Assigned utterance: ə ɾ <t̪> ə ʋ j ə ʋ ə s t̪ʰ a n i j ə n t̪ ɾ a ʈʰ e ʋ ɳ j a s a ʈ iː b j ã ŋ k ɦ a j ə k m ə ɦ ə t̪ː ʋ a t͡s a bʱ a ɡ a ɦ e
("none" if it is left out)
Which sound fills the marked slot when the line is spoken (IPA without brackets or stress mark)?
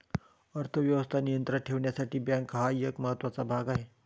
t̪ʰ